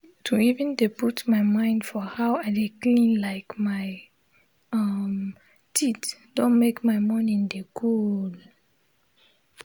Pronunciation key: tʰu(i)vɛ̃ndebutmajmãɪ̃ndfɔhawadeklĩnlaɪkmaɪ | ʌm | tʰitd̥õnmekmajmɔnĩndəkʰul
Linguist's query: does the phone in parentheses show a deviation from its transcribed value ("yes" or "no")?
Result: no